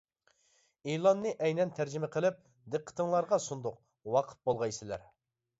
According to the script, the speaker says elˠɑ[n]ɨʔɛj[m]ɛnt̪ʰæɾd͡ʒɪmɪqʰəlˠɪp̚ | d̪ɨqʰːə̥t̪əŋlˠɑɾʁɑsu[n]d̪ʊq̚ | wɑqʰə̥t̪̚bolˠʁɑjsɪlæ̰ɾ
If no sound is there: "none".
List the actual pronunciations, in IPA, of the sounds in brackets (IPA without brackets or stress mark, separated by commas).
nː, n, n